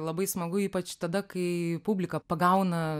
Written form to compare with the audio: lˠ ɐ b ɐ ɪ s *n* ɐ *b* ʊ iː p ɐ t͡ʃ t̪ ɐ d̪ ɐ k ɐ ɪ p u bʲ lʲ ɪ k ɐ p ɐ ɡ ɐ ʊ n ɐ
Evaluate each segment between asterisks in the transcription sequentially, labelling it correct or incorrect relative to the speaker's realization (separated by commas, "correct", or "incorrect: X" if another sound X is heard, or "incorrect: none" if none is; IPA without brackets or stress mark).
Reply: incorrect: m, incorrect: ɡ